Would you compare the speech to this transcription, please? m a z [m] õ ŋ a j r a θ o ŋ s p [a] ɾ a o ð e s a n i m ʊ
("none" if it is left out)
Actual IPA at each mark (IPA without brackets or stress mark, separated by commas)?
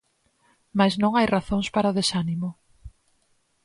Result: n, a